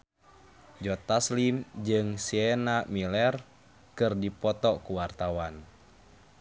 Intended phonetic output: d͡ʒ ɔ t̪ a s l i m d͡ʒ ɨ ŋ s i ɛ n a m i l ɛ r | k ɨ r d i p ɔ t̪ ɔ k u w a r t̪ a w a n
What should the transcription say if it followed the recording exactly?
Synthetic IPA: d͡ʒ ɔ t̪ a s l i m d͡ʒ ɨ ŋ s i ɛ n a m i l ɛ r | k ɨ r d i p ɔ t̪ ɔ k u w a r t̪ a w a n